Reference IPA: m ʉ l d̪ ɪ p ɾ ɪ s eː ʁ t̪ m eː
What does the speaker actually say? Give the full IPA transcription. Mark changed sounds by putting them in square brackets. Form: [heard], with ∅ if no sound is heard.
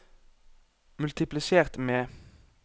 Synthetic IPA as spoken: m ʉ l [t̪] ɪ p [l] ɪ s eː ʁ t̪ m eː